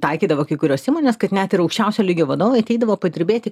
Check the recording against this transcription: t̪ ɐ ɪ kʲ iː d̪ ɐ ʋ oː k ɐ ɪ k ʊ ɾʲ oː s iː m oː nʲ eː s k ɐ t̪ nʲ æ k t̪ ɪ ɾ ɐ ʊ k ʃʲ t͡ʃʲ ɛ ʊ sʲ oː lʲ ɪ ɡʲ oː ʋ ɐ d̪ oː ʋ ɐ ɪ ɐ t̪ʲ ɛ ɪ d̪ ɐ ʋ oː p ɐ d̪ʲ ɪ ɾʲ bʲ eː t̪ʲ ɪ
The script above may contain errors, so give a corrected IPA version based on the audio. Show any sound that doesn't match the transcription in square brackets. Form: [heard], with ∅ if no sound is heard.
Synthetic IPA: t̪ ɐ ɪ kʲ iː d̪ ɐ ʋ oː k ɐ ɪ k ʊ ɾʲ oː s iː m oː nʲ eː s k ɐ t̪ nʲ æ [∅] t̪ ɪ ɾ ɐ ʊ k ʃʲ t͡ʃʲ ɛ ʊ sʲ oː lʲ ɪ ɡʲ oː ʋ ɐ d̪ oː ʋ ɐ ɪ ɐ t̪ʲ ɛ ɪ d̪ ɐ ʋ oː p ɐ d̪ʲ ɪ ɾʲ bʲ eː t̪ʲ ɪ